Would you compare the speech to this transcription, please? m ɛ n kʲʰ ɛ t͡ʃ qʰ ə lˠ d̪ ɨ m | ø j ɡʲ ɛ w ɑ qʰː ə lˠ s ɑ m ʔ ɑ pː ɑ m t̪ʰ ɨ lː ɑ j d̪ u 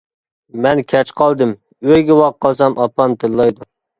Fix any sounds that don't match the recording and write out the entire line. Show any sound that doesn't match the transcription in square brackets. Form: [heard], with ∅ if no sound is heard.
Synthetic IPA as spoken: m ɛ n kʲʰ ɛ t͡ʃ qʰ [ɑ] lˠ d̪ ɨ m | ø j ɡʲ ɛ w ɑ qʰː [ɑ] lˠ s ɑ m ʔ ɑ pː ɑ m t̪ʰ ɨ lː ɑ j d̪ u